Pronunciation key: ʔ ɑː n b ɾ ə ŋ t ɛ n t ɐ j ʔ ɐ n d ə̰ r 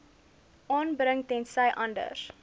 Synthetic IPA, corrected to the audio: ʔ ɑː n b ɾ ə ŋ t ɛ n s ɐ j ʔ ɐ n d ə̰ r